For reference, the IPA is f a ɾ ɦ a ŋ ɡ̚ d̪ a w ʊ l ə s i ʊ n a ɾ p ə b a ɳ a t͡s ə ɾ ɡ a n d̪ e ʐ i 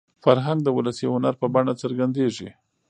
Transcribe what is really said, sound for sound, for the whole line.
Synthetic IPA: f a ɾ ɦ a ŋ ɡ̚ d̪ ə w ʊ l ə s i ʊ n a ɾ p ə b a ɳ a t͡s ə ɾ ɡ a n d̪ e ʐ i